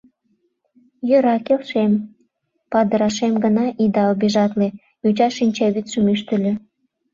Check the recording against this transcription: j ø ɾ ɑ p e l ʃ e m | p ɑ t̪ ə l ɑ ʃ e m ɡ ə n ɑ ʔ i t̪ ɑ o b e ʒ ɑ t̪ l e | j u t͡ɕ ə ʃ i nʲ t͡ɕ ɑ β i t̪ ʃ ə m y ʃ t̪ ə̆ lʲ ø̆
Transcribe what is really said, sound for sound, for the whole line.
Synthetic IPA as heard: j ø ɾ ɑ k e l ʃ e m | p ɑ d̪ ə ɾ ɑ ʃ e m ɡ ə n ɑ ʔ i d̪ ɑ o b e ʒ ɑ t̪ l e | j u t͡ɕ ɑ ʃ i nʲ t͡ɕ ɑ β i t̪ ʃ ə m y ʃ t̪ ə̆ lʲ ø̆